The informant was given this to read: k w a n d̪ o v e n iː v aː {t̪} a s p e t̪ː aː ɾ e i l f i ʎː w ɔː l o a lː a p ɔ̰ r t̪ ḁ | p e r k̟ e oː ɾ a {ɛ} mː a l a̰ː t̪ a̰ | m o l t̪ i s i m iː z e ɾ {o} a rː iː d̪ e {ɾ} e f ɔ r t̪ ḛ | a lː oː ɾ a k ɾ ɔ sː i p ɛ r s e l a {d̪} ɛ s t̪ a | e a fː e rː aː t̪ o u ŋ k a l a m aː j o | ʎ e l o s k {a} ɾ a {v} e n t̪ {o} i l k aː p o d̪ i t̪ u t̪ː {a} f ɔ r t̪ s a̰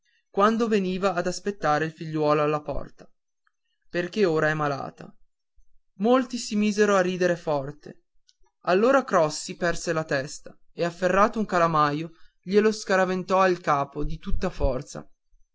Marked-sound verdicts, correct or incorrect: incorrect, correct, correct, correct, incorrect, correct, correct, incorrect, correct

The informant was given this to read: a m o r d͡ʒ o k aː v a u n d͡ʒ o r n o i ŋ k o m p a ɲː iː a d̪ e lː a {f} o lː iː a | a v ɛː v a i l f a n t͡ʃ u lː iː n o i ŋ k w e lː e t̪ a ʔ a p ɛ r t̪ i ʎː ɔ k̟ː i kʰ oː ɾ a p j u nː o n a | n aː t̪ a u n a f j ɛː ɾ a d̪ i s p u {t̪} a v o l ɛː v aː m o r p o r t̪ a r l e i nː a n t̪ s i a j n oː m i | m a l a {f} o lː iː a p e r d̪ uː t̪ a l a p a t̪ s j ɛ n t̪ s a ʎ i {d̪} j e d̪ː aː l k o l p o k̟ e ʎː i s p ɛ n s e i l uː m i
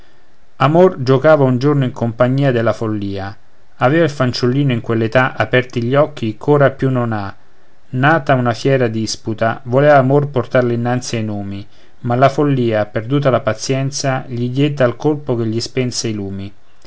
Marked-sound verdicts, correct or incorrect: correct, correct, correct, correct

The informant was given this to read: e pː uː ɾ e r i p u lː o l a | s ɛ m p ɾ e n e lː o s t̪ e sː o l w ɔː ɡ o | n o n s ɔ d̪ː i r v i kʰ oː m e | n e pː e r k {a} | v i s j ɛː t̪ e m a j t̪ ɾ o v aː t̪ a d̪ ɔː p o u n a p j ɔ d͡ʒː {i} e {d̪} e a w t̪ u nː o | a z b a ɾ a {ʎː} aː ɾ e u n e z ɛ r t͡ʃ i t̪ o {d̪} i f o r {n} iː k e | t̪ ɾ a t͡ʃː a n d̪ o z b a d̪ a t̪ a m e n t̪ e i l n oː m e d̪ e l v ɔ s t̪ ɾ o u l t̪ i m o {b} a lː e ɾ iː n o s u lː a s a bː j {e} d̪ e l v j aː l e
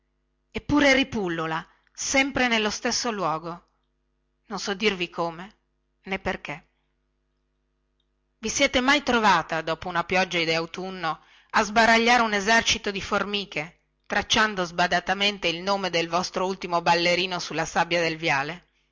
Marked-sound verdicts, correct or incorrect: incorrect, incorrect, correct, correct, correct, incorrect, correct, incorrect

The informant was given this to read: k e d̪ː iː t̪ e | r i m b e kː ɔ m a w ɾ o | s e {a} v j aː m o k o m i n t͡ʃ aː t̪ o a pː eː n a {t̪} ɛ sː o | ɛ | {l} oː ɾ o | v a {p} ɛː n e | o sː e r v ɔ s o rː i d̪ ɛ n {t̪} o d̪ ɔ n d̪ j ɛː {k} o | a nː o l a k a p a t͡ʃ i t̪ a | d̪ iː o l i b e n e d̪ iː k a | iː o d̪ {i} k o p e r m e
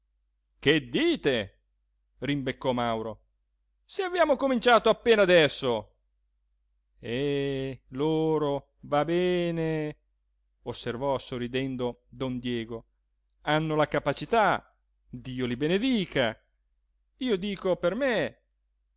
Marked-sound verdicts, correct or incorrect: correct, incorrect, correct, incorrect, incorrect, incorrect, incorrect

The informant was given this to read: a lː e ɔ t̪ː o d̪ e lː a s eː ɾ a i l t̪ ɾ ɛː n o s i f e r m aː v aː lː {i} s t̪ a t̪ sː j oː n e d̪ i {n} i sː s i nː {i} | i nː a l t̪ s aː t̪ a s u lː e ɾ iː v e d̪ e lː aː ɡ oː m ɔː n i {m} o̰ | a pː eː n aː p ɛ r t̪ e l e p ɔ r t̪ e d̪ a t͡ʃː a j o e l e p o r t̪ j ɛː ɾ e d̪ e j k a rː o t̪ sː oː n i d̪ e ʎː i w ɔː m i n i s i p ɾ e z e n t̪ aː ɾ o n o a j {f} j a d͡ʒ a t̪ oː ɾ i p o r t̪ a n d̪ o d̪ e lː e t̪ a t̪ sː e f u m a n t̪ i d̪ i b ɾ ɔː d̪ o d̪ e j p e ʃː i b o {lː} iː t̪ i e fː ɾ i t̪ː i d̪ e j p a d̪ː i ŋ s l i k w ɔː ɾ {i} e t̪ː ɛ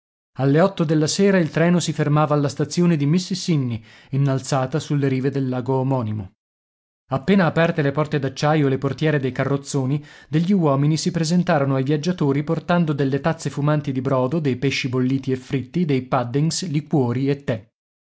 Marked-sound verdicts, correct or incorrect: incorrect, incorrect, correct, correct, incorrect, correct, correct

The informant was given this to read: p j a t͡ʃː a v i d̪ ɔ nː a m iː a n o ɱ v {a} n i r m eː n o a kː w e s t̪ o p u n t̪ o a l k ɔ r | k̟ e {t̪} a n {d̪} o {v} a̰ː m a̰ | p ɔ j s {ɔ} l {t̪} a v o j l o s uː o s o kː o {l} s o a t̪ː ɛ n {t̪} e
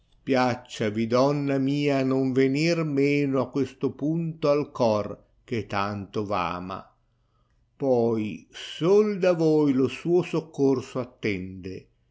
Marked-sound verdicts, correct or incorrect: incorrect, correct, incorrect, correct, incorrect, incorrect, incorrect, incorrect

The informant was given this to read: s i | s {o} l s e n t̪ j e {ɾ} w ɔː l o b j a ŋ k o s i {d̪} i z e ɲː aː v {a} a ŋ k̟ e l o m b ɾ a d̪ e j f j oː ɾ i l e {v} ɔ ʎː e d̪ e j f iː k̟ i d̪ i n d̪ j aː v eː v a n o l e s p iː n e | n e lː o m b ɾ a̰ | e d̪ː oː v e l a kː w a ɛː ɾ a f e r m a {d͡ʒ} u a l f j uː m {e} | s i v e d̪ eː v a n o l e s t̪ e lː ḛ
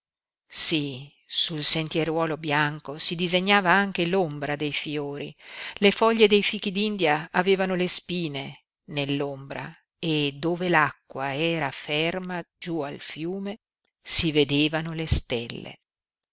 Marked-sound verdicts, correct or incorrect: incorrect, correct, correct, correct, incorrect, correct, correct

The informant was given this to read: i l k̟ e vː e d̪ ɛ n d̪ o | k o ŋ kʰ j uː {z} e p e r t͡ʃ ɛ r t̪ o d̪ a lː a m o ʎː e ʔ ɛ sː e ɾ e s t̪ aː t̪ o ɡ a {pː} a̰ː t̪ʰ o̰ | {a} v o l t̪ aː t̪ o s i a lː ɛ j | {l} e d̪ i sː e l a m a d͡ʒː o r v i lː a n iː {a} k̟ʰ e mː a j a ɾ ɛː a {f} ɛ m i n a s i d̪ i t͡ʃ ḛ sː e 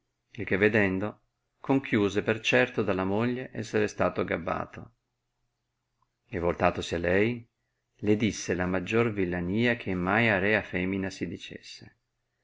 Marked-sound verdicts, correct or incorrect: correct, incorrect, incorrect, correct, correct, correct

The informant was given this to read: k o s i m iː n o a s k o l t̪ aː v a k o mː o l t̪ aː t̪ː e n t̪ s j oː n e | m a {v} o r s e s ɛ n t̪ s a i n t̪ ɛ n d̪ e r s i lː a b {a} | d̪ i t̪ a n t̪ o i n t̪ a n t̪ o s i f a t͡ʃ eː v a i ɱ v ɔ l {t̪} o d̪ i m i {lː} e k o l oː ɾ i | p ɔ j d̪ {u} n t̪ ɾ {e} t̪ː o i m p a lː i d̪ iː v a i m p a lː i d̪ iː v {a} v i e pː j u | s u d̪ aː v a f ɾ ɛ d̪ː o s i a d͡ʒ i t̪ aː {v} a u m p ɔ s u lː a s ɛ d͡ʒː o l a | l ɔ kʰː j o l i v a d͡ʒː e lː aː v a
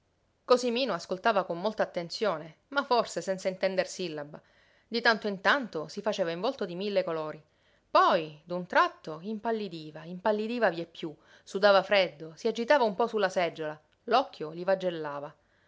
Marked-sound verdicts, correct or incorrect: incorrect, correct, correct, correct, correct, incorrect, correct, correct

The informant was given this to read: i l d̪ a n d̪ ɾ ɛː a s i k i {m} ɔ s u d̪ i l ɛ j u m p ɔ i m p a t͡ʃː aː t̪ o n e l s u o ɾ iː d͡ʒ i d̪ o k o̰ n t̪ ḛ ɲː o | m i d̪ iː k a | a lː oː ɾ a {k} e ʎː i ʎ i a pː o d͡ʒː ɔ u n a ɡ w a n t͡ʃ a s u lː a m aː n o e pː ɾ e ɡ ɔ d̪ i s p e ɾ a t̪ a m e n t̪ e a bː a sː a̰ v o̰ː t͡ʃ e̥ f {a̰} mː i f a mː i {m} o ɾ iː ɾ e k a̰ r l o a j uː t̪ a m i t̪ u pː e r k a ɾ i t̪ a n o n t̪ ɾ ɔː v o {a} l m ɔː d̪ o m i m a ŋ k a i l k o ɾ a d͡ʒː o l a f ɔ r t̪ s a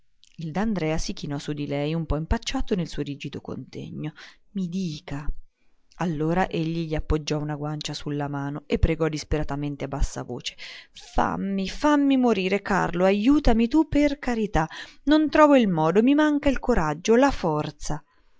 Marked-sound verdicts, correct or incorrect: incorrect, incorrect, correct, correct, incorrect

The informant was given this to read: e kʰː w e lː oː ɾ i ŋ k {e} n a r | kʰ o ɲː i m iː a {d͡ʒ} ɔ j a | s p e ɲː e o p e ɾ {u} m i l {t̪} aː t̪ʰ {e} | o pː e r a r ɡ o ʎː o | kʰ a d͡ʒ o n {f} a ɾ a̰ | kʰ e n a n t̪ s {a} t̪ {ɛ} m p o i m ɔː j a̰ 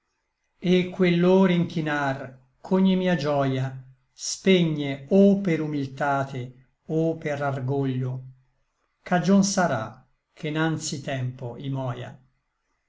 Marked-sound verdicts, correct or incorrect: incorrect, correct, correct, correct, correct, incorrect, incorrect, correct

